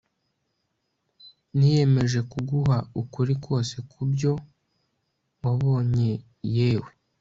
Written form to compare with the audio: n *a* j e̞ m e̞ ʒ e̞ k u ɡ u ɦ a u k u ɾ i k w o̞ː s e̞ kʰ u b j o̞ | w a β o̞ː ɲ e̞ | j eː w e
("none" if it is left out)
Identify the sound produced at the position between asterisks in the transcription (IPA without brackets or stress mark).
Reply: i